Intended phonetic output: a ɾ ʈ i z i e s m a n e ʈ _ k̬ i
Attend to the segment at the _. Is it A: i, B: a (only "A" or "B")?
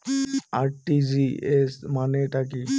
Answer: B